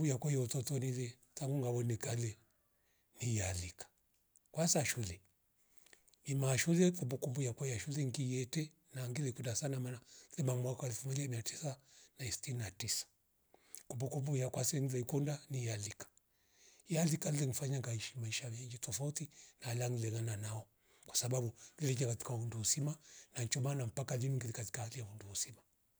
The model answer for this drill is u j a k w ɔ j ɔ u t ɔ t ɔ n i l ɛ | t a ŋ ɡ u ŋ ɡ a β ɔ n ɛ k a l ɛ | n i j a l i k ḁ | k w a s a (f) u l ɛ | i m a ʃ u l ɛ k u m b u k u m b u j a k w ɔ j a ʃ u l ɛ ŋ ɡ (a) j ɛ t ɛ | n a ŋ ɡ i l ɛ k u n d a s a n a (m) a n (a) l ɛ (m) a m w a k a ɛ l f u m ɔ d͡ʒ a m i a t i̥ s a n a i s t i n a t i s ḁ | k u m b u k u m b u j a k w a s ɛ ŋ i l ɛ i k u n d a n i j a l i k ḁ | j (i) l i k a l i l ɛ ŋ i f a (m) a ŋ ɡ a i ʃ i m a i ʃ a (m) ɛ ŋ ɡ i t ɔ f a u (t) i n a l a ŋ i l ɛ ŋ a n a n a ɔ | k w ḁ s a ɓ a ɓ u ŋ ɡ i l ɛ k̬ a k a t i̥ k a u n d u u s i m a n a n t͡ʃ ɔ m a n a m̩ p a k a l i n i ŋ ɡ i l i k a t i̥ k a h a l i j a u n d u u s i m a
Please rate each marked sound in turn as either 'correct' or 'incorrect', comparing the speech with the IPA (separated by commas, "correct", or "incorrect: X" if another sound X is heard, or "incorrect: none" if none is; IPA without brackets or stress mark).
incorrect: ʃ, incorrect: i, correct, correct, correct, incorrect: a, incorrect: ɲ, correct, correct